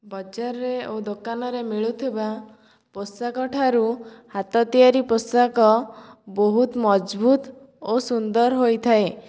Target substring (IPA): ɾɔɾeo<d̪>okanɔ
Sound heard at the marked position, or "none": d̪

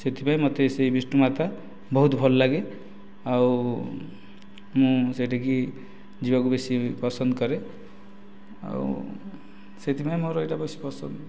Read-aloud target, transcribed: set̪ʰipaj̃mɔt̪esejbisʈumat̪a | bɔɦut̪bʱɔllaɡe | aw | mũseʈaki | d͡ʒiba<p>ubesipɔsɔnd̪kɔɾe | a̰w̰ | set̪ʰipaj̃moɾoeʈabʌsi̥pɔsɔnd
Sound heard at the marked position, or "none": k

